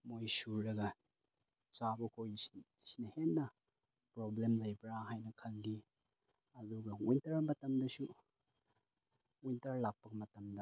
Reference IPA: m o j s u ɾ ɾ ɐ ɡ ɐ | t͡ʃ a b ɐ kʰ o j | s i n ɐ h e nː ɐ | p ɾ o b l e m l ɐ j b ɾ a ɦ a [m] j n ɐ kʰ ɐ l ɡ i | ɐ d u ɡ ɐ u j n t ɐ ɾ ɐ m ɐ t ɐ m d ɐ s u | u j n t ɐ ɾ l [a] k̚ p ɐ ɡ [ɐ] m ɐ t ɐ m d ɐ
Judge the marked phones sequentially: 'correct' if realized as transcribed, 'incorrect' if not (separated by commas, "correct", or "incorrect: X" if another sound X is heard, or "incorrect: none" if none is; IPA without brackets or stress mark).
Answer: incorrect: none, correct, correct